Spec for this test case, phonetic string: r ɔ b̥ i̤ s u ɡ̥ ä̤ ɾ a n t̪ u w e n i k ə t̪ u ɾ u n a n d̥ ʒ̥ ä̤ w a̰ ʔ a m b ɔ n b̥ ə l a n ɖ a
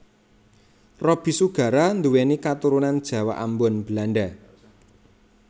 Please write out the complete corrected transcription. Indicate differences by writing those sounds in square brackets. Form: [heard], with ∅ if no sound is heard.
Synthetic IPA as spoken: r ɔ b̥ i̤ s u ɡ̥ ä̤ ɾ a n [d̪] u w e n i k [a] t̪ u ɾ u n a n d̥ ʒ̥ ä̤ w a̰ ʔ a m b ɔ n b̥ ə l a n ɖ a